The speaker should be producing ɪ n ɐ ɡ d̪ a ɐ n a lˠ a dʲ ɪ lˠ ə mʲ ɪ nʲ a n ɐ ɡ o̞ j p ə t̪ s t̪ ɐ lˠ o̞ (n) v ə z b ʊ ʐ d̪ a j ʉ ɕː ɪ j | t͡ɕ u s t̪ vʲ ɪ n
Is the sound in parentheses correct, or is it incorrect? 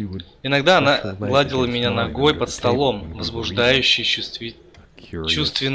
incorrect: m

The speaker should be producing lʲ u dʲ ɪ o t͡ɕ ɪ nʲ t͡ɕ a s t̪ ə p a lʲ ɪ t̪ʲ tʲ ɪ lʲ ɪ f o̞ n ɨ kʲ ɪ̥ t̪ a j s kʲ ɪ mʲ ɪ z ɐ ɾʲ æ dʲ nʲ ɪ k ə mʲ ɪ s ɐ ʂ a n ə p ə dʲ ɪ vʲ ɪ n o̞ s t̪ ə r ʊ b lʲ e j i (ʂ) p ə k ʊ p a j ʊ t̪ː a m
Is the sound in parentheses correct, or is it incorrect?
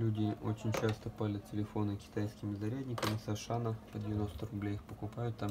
incorrect: x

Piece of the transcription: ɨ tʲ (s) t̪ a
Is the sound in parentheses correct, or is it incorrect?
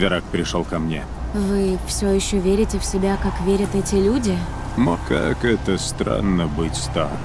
correct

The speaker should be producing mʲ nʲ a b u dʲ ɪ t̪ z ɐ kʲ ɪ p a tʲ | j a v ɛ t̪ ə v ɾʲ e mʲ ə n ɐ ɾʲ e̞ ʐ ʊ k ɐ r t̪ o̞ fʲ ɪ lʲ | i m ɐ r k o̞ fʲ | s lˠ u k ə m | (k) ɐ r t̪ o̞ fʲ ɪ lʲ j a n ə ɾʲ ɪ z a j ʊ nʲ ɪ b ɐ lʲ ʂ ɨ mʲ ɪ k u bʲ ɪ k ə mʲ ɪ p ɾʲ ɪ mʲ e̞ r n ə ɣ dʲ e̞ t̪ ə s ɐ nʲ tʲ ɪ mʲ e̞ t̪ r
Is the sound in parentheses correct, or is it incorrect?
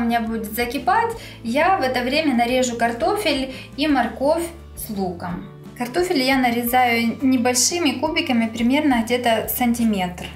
correct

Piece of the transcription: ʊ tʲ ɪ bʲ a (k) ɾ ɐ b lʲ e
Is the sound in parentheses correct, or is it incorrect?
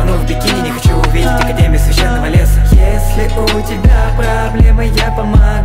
incorrect: p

